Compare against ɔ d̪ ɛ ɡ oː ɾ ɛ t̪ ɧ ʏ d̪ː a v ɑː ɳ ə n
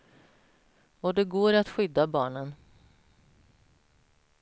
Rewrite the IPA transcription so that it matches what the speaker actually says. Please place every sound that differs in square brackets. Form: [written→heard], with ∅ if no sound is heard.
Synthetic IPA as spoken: ɔ d̪ ɛ ɡ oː ɾ [ɛ→a] t̪ ɧ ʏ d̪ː a [v→b] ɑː ɳ ə n

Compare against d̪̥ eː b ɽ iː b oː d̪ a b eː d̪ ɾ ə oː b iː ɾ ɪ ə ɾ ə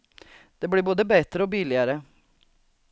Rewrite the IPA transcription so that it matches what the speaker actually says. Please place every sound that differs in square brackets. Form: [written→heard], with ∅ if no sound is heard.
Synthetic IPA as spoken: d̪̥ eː b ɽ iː b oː d̪ [a→ə] b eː [d̪→t̪] ɾ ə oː b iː [ɾ→l] ɪ ə ɾ ə

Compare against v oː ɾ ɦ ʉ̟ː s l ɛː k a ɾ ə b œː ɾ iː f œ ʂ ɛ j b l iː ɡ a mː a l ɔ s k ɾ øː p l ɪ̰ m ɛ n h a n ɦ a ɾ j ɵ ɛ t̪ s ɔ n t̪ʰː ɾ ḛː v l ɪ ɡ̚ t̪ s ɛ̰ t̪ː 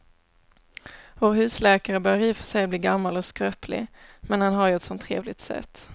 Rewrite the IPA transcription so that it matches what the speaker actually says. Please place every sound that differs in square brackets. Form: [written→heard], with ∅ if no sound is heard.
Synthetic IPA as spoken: v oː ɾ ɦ ʉ̟ː s l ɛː k a ɾ ə b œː ɾ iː f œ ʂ ɛ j b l iː ɡ a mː a l ɔ s k ɾ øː p l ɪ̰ m ɛ n h a n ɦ a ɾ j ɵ ɛ t̪ s ɔ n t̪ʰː ɾ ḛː v l ɪ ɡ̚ t̪ s ɛ̰ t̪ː

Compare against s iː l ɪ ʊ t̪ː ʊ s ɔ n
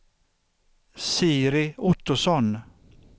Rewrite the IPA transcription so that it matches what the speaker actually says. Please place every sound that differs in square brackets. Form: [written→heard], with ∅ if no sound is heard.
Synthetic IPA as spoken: s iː [l→ɾ] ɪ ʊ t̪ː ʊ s ɔ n

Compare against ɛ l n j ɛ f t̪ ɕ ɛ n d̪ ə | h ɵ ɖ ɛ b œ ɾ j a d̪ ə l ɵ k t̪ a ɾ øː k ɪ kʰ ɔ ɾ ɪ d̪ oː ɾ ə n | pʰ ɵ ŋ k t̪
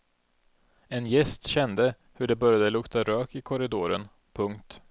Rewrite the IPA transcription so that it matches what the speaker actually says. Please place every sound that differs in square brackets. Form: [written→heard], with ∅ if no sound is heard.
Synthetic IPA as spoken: ɛ [l→∅] n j ɛ [f→s] t̪ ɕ ɛ n d̪ ə | h ɵ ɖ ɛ b œ ɾ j a d̪ ə l ɵ k t̪ a ɾ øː k ɪ kʰ ɔ ɾ ɪ d̪ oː ɾ ə n | pʰ ɵ ŋ k t̪

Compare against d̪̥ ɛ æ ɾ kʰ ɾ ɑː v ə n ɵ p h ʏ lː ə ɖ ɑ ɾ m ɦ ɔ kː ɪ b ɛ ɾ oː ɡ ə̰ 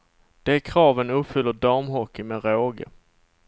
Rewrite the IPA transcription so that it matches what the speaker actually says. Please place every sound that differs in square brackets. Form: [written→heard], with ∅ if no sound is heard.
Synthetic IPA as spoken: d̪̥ ɛ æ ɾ kʰ ɾ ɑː v ə n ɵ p [h→f] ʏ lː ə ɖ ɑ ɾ m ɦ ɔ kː ɪ [b→m] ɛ ɾ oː ɡ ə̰

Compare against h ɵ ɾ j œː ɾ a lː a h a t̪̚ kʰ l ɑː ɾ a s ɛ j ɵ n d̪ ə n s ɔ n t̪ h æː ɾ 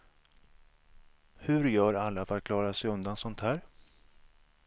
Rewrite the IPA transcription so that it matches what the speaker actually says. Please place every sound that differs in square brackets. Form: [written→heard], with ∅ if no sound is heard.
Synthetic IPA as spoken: h ɵ ɾ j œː ɾ a lː a [h→f] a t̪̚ kʰ l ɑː ɾ a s ɛ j ɵ n d̪ [ə→a] n s ɔ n t̪ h æː ɾ

